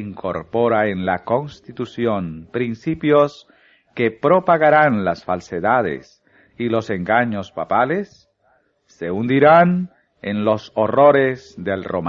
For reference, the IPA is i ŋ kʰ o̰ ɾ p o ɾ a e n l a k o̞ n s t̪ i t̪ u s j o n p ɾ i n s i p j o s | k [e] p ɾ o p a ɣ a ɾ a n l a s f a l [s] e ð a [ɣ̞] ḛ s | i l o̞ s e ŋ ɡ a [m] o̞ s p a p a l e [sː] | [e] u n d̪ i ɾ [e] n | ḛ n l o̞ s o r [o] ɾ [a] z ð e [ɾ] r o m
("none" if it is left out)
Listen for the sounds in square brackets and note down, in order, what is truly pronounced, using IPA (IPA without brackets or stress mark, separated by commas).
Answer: e, s, ð̞, ɲ, sː, e, a, o, e, l